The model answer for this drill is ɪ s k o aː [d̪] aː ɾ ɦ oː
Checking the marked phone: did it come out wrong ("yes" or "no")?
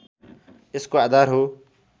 no